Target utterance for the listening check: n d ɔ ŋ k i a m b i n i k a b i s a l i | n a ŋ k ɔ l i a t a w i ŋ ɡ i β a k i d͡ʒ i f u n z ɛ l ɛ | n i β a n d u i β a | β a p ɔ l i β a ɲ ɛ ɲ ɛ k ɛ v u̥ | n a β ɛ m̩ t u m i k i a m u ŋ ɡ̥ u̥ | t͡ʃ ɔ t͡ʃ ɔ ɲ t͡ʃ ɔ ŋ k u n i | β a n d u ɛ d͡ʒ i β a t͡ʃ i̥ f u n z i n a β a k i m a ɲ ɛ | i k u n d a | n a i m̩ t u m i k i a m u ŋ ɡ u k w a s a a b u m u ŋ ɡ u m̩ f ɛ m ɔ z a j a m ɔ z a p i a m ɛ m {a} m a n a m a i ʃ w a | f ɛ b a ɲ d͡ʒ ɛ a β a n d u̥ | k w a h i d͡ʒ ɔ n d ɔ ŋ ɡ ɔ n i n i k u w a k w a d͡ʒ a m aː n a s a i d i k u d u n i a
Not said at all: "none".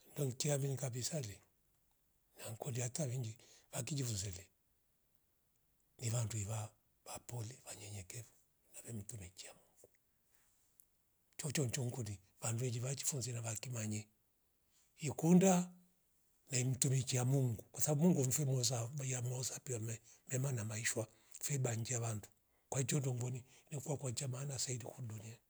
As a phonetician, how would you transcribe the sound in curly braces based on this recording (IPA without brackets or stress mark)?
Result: ɛ